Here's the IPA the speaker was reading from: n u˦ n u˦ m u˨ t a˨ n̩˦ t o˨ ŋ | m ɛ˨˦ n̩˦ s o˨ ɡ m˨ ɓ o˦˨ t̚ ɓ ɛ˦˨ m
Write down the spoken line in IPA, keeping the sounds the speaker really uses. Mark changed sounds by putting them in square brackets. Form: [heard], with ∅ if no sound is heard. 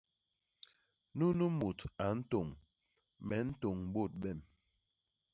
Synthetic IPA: n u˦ n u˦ m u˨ t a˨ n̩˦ t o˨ ŋ | m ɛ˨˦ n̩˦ [t] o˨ [ŋ] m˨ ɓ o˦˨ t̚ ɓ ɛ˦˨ m